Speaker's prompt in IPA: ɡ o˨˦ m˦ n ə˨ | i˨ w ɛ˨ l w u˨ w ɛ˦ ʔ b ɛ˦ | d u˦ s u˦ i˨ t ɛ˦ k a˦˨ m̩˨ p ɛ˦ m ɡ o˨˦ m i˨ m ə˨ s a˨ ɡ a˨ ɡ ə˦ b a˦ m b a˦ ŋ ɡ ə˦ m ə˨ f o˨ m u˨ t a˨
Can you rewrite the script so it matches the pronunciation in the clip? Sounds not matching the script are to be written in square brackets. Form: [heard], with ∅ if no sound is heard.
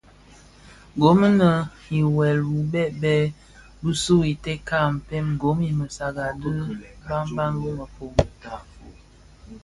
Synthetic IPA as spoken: ɡ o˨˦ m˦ n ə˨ | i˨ w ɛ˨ l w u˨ [b] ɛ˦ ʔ b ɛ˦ | [b] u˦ s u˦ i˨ t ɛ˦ k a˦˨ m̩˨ p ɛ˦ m ɡ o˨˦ m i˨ m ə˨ s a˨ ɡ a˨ [d] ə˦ b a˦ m b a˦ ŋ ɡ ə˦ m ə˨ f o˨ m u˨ t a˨